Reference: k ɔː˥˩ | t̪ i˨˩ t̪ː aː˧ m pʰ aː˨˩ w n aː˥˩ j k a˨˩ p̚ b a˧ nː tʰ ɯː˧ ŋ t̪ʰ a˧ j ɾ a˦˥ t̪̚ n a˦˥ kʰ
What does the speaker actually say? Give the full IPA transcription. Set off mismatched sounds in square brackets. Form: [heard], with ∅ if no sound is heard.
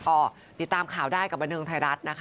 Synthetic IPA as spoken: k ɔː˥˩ | t̪ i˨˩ t̪ː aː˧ m [kʰ] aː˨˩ w [d] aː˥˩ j k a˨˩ p̚ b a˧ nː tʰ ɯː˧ ŋ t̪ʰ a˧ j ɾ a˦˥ t̪̚ n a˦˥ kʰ

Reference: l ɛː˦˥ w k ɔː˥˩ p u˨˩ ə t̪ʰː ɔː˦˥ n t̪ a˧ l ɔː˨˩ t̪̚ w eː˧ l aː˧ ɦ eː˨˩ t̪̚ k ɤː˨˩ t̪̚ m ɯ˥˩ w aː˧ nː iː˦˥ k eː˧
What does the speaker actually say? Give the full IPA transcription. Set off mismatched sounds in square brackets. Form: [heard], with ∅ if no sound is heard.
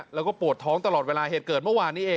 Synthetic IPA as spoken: l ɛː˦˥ w k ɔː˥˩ p u˨˩ ə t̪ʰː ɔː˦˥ [ŋ] t̪ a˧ l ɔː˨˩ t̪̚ w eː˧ l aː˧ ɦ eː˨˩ t̪̚ k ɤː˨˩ t̪̚ m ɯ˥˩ w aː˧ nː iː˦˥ [ʔ] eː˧

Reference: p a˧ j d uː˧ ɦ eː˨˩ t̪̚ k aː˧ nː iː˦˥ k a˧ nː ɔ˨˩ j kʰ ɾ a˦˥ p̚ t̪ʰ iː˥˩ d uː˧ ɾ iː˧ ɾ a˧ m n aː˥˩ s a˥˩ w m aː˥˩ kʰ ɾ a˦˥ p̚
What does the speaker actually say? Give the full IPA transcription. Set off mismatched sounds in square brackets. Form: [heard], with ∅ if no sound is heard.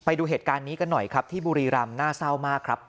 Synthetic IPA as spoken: p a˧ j d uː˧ ɦ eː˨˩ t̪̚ k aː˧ nː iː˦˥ k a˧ nː ɔ˨˩ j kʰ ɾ a˦˥ p̚ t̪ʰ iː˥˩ [b] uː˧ ɾ iː˧ ɾ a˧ m n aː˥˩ s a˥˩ w m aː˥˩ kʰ ɾ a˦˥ p̚

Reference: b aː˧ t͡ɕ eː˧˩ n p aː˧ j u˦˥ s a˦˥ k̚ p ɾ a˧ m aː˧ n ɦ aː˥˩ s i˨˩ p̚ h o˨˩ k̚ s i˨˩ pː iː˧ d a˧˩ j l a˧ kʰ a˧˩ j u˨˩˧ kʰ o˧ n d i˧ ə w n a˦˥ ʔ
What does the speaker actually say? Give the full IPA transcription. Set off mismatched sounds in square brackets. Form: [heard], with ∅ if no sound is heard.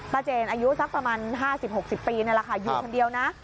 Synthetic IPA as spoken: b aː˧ t͡ɕ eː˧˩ n [ʔ] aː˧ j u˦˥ s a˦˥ k̚ p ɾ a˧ m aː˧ n ɦ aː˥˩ s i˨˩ p̚ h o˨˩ k̚ s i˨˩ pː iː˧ [n] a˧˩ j l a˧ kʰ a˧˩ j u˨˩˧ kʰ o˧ n d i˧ ə w n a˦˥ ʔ

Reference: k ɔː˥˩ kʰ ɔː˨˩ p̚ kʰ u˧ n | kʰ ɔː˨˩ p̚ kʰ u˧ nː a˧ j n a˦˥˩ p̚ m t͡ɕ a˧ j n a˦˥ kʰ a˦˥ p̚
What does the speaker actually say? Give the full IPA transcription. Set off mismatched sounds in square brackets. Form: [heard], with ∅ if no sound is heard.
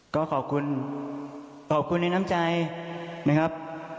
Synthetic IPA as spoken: k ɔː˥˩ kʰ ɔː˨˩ p̚ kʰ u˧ n | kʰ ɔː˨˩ p̚ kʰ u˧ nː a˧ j n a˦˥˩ [∅] m t͡ɕ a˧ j n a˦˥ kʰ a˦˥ p̚

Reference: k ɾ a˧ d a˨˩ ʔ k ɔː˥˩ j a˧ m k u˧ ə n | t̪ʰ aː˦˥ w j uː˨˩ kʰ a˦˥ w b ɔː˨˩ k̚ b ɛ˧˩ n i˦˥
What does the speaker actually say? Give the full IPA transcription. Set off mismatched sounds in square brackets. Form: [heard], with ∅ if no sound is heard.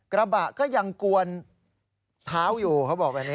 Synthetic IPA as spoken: k ɾ a˧ [b] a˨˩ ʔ k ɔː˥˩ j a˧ [ŋ] k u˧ ə n | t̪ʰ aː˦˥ w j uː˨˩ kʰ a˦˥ w b ɔː˨˩ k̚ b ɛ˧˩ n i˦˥

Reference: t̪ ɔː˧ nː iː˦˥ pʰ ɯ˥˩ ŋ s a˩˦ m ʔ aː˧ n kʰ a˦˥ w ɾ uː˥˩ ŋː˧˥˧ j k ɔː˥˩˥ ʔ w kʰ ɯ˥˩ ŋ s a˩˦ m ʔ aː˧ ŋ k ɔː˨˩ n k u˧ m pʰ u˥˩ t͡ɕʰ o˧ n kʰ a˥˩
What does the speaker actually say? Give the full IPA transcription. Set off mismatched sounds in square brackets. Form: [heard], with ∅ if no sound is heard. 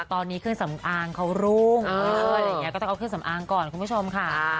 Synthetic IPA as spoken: t̪ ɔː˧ nː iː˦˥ [kʰ] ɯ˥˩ ŋ s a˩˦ m ʔ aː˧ [ŋ] kʰ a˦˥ w ɾ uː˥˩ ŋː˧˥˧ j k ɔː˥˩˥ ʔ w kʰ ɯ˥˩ ŋ s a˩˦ m ʔ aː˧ ŋ k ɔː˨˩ n k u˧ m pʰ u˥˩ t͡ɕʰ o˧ [m] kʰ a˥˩

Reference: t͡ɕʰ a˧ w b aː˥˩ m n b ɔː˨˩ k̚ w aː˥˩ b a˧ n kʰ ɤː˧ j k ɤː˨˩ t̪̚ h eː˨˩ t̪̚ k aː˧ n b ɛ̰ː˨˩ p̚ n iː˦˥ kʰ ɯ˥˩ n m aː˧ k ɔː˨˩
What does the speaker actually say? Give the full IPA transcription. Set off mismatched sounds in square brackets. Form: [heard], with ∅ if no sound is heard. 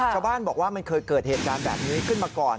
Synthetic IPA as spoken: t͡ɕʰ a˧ w b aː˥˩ [∅] n b ɔː˨˩ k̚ w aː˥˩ [m] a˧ n kʰ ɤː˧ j k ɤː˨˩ t̪̚ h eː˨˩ t̪̚ k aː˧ n b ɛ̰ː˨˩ p̚ n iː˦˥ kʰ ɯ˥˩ n m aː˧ k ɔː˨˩

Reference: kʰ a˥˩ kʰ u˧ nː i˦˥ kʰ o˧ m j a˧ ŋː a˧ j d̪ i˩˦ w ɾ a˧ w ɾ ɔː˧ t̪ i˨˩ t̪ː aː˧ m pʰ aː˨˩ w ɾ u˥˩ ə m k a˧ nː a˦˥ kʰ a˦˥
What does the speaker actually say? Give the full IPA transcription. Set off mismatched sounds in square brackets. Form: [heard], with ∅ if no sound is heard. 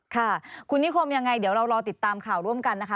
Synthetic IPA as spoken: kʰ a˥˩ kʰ u˧ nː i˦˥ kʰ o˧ m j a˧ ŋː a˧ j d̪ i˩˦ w ɾ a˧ w ɾ ɔː˧ t̪ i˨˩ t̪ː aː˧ m [kʰ] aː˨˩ w ɾ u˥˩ ə m k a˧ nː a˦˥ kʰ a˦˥

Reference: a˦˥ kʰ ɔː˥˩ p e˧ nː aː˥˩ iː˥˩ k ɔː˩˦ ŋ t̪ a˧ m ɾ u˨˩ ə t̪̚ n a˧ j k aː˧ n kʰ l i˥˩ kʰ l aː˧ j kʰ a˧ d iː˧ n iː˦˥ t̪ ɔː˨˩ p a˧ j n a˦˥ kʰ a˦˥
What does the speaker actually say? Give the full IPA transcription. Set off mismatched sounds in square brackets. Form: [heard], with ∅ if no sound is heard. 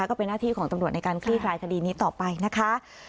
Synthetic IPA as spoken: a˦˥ [k] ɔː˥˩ p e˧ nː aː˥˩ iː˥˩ k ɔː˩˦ ŋ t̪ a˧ m ɾ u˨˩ ə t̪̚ n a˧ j k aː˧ n kʰ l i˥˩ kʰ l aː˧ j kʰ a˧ d iː˧ n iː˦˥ t̪ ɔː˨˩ p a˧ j n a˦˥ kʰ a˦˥

